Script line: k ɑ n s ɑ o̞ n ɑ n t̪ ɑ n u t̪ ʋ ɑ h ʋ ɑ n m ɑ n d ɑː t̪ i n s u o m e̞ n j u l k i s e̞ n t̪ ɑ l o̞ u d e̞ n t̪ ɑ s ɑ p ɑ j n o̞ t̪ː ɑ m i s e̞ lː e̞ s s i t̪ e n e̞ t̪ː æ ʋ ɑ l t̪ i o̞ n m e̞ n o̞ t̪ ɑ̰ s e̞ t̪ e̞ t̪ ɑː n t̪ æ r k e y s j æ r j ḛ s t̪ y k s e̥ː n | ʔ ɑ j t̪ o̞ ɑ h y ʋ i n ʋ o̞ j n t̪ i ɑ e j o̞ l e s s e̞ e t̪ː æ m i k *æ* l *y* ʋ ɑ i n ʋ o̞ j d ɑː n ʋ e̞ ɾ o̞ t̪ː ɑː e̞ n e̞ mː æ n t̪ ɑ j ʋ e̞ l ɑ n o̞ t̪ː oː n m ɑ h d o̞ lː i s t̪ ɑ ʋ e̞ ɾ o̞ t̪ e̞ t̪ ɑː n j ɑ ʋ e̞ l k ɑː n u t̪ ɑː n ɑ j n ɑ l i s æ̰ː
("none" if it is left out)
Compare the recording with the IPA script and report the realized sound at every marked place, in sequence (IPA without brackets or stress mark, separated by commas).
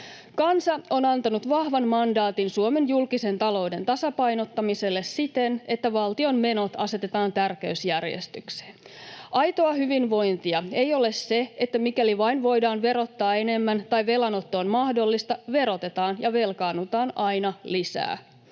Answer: æ, i